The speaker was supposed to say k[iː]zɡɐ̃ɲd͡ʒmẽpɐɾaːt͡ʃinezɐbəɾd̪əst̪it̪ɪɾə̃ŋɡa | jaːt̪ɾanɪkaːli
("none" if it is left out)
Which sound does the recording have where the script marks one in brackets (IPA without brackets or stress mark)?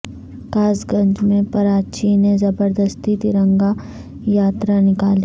aː